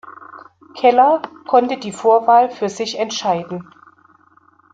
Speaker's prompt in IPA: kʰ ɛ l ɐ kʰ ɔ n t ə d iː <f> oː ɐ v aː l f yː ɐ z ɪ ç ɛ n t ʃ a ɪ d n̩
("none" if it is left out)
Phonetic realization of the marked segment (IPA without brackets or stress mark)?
f